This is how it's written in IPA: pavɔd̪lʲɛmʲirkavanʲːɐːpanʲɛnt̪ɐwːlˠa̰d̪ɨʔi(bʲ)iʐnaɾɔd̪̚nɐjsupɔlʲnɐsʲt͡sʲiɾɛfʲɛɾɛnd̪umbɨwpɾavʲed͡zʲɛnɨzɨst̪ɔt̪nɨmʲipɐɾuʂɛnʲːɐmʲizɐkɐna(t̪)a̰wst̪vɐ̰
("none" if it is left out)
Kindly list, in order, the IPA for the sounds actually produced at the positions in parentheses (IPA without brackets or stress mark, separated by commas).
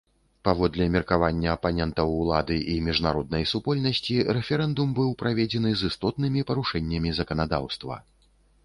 mʲ, d̪